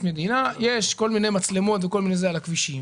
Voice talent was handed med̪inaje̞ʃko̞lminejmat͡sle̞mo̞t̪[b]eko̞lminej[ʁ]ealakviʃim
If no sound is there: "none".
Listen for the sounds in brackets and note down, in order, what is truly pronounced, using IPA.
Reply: v, z

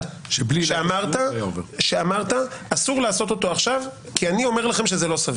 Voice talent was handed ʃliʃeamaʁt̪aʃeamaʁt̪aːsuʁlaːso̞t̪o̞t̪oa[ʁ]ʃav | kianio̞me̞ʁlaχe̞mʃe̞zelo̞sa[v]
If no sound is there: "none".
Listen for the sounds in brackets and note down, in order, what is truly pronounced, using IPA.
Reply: χ, v

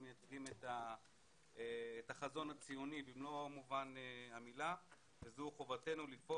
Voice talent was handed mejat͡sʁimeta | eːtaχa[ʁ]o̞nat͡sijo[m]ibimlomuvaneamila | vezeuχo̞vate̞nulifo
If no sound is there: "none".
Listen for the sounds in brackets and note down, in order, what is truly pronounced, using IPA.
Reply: z, n

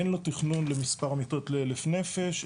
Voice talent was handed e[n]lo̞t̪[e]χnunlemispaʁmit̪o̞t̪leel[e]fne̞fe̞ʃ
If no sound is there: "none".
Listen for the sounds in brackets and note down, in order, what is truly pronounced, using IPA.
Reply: n, i, e

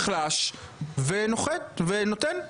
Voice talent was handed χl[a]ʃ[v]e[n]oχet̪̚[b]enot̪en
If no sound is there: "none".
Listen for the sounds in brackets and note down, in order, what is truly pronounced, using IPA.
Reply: a, v, n, v

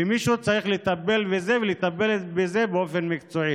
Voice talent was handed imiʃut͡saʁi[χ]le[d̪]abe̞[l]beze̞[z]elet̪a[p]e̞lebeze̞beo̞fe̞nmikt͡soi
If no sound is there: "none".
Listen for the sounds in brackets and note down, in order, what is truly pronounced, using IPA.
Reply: χ, t̪, l, v, b

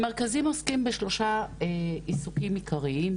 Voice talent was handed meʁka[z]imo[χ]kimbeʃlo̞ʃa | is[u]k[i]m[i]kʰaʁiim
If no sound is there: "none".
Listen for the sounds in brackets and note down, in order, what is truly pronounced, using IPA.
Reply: z, s, u, i, i

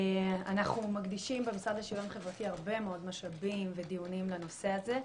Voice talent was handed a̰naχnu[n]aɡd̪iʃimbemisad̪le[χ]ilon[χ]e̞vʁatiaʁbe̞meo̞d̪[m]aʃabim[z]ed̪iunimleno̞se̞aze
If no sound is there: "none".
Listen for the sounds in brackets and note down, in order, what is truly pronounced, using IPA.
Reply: m, ʃ, χ, m, v

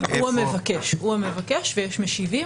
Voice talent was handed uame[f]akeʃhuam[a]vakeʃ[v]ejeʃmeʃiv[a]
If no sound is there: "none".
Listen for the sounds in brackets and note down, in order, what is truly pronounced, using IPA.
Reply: v, e, v, i

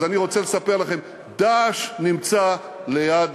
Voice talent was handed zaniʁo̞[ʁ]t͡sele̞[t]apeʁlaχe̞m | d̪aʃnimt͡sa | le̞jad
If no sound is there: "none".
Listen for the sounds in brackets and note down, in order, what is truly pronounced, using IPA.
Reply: none, s

